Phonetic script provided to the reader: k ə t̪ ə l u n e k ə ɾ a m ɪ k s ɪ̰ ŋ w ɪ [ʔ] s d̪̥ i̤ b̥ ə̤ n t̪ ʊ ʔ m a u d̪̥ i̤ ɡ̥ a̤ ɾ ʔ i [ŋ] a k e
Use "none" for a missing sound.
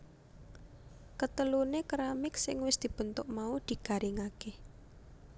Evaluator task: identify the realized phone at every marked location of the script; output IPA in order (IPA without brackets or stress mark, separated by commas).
none, ŋ